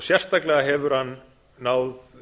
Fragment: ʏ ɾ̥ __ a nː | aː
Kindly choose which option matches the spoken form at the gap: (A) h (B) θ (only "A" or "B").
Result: A